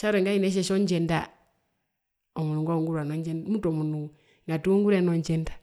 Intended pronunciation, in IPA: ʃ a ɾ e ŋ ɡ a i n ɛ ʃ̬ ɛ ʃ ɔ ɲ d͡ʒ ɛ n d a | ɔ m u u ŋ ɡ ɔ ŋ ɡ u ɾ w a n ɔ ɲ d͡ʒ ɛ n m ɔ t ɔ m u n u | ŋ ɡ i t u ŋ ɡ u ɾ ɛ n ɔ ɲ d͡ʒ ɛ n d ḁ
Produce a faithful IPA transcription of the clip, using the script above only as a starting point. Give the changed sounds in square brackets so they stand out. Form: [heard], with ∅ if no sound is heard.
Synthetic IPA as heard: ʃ a ɾ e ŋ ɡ a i n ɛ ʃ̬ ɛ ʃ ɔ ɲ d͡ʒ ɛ n d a | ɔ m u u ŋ ɡ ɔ ŋ ɡ u ɾ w a n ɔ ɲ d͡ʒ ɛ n m [u] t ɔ m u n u | ŋ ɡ [a] t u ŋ ɡ u ɾ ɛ n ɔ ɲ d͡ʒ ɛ n d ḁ

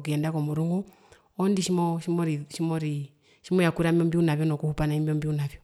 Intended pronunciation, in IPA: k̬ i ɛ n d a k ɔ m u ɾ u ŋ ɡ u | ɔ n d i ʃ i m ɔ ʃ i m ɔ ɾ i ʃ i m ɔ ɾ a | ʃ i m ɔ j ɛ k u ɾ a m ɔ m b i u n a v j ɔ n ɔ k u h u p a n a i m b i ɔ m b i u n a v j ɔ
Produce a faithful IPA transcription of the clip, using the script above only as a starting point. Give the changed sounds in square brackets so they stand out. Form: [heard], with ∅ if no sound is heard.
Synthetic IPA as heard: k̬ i ɛ n d a k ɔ m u ɾ u ŋ ɡ u | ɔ n d i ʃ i m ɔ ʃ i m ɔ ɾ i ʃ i m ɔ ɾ [i] | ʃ i m ɔ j [a] k u ɾ a m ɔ m b i u n a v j ɔ n ɔ k u h u p a n a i m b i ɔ m b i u n a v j ɔ

